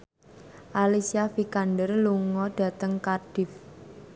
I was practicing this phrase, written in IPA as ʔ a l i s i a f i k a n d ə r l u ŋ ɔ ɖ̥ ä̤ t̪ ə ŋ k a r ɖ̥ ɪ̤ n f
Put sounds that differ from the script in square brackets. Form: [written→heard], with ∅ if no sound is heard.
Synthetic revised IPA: ʔ a l i s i a f i k a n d ə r l u ŋ ɔ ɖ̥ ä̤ t̪ ə ŋ k a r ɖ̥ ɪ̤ [n→∅] f